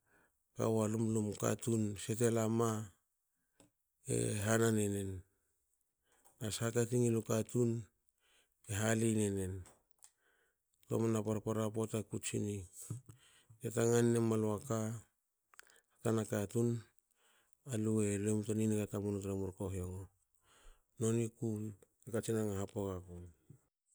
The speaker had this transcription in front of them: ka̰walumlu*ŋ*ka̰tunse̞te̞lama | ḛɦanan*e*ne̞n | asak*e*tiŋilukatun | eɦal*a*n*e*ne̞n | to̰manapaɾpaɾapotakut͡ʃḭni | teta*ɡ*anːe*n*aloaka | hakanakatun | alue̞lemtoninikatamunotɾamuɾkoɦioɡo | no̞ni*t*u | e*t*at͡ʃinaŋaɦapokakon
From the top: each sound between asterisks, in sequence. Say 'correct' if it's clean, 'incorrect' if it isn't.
incorrect, correct, incorrect, incorrect, correct, incorrect, incorrect, incorrect, incorrect

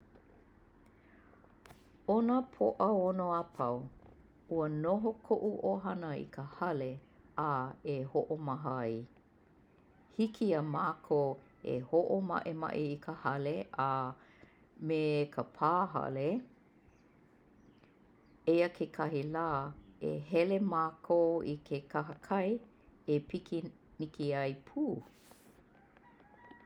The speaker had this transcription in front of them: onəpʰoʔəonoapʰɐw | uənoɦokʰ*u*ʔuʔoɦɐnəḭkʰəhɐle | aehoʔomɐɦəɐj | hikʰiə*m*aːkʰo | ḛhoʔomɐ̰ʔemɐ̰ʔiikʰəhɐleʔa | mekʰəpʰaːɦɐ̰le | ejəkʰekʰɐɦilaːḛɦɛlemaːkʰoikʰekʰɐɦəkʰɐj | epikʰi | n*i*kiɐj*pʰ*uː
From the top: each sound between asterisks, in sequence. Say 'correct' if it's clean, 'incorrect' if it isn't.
incorrect, correct, correct, correct

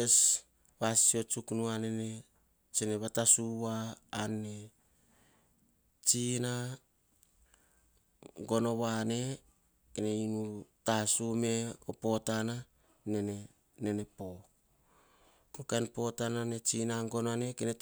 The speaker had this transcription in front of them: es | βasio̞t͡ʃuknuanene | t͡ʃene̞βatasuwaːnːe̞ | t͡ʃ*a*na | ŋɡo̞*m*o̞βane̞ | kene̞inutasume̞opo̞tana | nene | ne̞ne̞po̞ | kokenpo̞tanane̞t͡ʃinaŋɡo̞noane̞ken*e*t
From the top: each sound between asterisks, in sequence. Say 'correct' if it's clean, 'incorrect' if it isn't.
incorrect, incorrect, correct

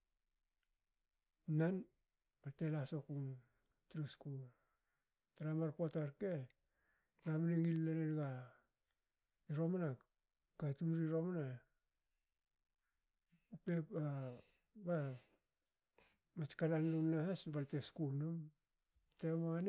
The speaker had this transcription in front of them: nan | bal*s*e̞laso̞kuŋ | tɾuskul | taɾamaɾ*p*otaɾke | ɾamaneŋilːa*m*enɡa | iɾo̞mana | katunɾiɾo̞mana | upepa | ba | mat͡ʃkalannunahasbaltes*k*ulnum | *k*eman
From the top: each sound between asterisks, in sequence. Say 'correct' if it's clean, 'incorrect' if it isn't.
incorrect, correct, incorrect, correct, incorrect

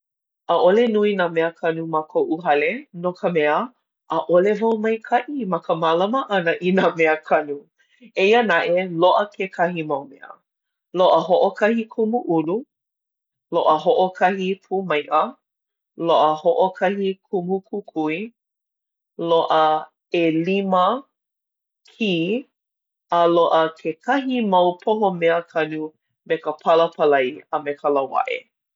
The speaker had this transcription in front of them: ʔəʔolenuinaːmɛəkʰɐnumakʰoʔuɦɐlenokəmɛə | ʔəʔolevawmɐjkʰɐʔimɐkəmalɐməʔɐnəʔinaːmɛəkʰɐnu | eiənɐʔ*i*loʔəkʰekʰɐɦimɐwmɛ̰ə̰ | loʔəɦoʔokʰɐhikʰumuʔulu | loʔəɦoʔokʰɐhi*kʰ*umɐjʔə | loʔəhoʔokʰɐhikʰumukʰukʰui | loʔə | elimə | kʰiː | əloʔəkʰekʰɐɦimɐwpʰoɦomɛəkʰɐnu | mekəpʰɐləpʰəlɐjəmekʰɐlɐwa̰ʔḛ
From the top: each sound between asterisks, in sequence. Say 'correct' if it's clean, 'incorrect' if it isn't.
incorrect, incorrect

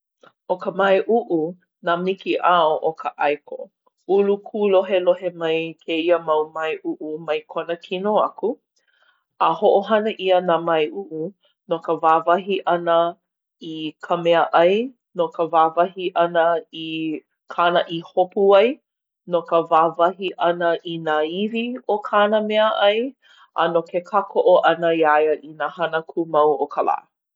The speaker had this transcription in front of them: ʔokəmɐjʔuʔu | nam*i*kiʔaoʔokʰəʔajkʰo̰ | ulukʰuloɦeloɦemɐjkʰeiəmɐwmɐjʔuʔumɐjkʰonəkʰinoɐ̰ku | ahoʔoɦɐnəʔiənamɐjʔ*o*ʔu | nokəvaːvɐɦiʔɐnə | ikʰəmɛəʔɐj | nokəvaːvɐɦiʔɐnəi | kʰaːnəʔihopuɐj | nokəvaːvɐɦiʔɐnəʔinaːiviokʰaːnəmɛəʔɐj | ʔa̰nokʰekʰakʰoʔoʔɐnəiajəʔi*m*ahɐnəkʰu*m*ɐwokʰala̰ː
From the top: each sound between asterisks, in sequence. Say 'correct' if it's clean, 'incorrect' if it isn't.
correct, incorrect, incorrect, correct

